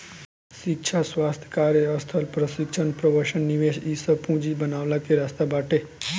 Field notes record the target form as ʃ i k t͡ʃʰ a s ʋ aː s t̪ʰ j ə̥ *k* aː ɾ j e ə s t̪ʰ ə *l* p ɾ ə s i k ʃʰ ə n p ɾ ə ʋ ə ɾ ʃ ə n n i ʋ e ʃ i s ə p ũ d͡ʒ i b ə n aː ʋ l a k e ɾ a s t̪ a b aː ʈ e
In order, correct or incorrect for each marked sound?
correct, correct

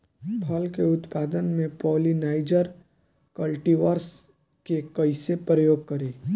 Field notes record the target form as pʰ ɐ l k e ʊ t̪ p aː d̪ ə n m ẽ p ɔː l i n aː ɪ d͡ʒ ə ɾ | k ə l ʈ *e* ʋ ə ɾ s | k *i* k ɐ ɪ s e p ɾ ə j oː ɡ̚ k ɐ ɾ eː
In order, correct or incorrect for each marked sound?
incorrect: i, incorrect: e

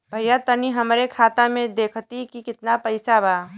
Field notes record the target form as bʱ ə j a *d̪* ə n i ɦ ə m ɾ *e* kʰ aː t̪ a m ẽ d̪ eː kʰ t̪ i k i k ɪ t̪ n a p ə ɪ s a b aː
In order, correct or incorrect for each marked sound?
incorrect: t̪, correct

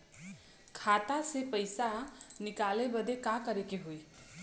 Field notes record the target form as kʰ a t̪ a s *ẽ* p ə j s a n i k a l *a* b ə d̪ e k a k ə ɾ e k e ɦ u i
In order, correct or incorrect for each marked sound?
incorrect: e, incorrect: e

